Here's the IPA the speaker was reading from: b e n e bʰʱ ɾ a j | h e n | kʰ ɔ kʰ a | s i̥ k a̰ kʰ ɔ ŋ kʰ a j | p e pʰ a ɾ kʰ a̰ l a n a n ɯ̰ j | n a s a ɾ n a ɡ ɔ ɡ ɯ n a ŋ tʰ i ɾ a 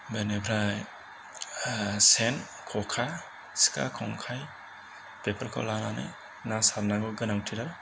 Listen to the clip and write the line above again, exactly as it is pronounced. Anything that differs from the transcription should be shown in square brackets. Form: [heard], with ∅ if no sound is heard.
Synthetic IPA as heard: b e n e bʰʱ ɾ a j | [s] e n | kʰ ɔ kʰ a | s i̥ k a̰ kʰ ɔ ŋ kʰ a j | p e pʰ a ɾ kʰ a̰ l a n a n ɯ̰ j | n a s a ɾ n a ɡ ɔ ɡ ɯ n a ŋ tʰ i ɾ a